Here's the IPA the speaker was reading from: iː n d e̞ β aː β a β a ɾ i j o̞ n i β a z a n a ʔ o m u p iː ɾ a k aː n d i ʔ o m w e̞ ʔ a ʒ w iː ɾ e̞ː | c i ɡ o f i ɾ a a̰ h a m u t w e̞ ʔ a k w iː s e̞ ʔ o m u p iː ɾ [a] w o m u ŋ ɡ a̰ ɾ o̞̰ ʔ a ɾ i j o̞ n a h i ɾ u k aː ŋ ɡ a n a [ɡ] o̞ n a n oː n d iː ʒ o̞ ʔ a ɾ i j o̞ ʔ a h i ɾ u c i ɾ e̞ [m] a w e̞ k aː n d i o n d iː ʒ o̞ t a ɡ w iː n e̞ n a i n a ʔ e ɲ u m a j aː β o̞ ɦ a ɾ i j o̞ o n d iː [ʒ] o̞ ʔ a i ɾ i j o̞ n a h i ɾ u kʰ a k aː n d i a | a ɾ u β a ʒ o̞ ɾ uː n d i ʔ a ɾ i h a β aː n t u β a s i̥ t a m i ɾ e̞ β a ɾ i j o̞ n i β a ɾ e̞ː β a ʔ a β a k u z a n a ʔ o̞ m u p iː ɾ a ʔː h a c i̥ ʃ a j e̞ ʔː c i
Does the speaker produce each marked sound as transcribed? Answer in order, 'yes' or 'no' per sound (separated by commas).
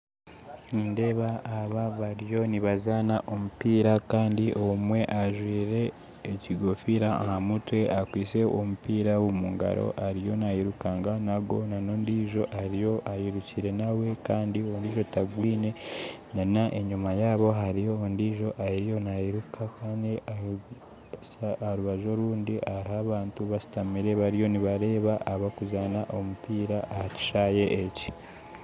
yes, yes, no, yes